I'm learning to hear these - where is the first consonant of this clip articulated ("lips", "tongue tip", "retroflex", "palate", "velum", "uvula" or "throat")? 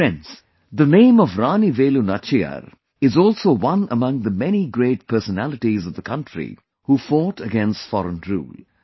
tongue tip